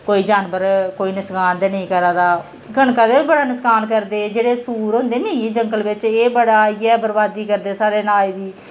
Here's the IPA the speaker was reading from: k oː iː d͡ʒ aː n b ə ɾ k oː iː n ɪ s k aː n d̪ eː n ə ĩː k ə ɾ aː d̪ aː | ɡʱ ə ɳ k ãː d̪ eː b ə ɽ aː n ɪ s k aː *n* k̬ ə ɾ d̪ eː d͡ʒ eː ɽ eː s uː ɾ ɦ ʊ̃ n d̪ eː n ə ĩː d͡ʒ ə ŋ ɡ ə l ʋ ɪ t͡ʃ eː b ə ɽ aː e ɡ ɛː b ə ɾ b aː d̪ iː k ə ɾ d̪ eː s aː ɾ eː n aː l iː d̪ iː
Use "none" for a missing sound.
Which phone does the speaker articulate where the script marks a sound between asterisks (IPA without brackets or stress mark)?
n